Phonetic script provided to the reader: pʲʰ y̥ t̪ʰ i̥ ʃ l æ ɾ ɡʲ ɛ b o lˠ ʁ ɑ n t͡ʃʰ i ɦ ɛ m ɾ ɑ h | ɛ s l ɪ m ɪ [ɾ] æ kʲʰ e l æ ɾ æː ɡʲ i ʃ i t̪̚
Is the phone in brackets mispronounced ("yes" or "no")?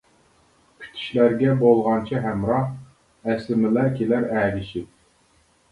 yes